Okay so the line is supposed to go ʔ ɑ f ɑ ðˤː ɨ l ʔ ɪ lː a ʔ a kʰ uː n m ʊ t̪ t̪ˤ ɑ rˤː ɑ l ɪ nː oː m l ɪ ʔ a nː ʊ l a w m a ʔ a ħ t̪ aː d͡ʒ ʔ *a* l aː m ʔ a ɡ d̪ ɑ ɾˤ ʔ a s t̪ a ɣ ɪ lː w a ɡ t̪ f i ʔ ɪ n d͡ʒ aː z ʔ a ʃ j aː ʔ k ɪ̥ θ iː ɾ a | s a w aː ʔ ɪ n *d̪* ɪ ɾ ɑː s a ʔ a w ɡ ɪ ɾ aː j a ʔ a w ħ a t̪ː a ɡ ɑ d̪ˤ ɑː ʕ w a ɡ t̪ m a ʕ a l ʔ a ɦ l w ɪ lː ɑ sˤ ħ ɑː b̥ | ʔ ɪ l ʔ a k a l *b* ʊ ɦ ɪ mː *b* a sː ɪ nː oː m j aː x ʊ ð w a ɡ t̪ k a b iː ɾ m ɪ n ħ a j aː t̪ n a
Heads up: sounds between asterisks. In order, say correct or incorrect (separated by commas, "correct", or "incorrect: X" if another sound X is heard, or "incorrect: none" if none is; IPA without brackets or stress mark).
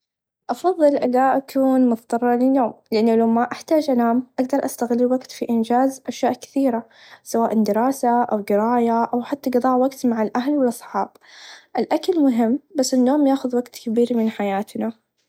correct, correct, incorrect: m, correct